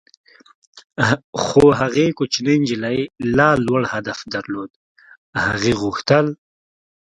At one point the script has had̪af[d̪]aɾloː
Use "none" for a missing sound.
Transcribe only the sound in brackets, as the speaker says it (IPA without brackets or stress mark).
d̪